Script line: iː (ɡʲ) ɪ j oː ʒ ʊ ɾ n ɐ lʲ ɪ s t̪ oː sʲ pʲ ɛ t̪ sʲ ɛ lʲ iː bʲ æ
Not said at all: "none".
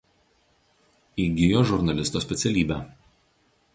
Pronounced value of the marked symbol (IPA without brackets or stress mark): ɡʲ